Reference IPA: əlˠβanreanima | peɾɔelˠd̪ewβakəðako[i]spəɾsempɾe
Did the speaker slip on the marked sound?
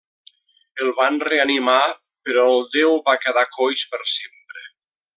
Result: yes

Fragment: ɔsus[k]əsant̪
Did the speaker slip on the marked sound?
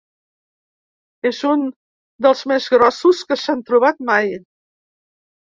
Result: no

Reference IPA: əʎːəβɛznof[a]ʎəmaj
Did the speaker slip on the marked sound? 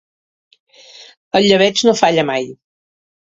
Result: no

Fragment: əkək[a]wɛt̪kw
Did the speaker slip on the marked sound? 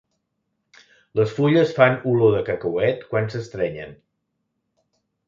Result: yes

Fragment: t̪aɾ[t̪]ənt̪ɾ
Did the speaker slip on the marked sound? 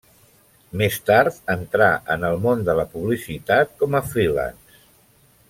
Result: no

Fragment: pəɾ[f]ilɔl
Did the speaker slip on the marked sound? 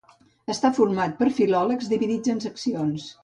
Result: no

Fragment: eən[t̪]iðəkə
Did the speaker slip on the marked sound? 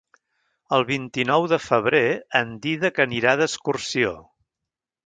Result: yes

